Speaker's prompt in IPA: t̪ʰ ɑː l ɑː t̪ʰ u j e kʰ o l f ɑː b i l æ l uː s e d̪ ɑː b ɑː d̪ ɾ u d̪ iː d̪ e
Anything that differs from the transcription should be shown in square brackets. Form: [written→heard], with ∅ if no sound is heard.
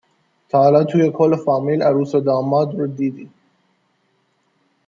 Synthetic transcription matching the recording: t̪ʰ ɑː l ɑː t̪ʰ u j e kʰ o l f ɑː [b→m] i l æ [l→ɾ] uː s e d̪ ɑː [b→m] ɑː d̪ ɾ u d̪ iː d̪ [e→i]

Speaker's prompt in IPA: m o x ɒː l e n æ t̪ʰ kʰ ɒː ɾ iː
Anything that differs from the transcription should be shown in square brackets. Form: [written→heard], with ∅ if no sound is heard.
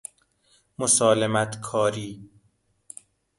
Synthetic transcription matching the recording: m o [x→s] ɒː l e [n→m] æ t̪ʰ kʰ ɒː ɾ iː

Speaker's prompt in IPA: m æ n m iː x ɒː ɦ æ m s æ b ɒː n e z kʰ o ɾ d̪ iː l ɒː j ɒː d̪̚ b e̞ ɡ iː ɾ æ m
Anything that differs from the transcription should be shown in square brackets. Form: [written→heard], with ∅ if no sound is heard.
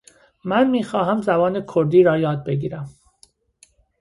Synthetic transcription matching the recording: m æ n m iː x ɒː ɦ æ m [s→z] æ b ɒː n e [z→∅] kʰ o ɾ d̪ iː [l→ɾ] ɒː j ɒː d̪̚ b e̞ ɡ iː ɾ æ m

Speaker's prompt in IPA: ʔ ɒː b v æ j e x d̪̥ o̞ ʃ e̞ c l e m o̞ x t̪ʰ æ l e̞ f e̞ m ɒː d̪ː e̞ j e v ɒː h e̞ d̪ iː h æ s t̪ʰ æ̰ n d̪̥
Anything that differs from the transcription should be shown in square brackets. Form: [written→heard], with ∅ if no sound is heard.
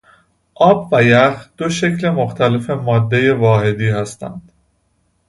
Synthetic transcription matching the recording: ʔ ɒː b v æ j [e→æ] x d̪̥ o̞ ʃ e̞ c l e m o̞ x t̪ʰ æ l e̞ f e̞ m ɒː d̪ː e̞ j e v ɒː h e̞ d̪ iː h æ s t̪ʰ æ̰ n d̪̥

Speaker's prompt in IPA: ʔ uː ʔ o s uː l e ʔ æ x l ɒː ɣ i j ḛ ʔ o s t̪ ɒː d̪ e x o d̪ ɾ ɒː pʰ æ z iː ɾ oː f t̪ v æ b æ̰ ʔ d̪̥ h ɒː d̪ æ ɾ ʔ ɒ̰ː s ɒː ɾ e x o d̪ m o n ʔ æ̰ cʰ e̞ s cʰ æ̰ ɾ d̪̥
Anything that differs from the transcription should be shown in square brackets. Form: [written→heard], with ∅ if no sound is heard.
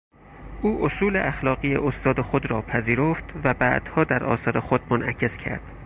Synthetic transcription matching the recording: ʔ uː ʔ o s uː l e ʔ æ x l ɒː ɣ i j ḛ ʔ o s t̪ ɒː d̪ e x o d̪ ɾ ɒː pʰ æ z iː ɾ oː f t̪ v æ b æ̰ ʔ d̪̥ h ɒː d̪ æ ɾ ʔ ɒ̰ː s ɒː ɾ e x o d̪ m o n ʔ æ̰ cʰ e̞ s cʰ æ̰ ɾ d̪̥

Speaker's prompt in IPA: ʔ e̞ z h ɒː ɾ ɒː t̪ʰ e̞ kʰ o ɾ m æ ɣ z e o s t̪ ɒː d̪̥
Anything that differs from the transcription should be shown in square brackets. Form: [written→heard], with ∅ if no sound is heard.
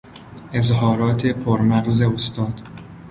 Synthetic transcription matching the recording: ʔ e̞ z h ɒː ɾ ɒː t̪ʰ e̞ [kʰ→pʰ] o ɾ m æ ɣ z e o s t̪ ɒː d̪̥

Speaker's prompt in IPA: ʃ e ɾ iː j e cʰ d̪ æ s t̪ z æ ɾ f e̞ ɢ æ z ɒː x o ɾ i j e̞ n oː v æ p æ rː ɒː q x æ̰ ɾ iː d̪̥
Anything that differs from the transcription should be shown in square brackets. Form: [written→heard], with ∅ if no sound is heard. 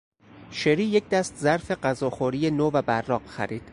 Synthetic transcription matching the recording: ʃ e ɾ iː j e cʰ d̪ æ s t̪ z æ ɾ f e̞ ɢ æ z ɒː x o ɾ i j e̞ n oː v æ [p→b] æ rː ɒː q x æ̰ ɾ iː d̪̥

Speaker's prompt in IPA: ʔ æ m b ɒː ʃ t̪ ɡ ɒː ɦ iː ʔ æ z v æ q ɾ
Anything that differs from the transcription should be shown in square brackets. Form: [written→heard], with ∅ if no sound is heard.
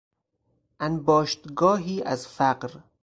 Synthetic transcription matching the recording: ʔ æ [m→n] b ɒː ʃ t̪ ɡ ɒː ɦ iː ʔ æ z [v→f] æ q ɾ

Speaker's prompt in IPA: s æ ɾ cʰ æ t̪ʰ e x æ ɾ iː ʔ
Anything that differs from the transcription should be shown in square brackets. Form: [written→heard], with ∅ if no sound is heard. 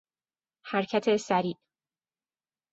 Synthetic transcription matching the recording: [s→h] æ ɾ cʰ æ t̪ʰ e [x→s] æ ɾ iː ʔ

